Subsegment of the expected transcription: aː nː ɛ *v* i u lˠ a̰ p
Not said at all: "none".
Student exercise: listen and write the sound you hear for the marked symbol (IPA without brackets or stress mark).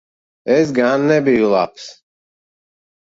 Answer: b